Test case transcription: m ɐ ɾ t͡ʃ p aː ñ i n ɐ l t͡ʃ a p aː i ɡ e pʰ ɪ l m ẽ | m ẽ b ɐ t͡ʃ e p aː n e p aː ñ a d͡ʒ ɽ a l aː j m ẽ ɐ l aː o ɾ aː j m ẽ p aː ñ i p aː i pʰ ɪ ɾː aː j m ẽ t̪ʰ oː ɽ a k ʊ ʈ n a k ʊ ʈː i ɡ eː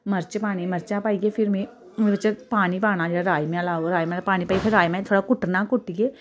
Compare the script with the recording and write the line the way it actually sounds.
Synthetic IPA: m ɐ ɾ t͡ʃ p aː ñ i m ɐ ɾ t͡ʃ a p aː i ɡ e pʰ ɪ ɾ m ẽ | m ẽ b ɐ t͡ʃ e p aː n i p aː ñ a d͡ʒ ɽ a ɾ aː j m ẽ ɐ l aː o ɾ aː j m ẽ p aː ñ i p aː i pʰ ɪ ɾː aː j m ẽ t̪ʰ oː ɽ a k ʊ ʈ n a k ʊ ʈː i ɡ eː